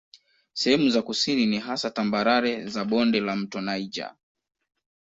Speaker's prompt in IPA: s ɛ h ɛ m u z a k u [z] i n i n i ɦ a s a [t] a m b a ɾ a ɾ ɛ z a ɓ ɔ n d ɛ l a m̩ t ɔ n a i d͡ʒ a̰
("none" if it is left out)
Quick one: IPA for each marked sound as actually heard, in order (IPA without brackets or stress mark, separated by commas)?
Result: s, t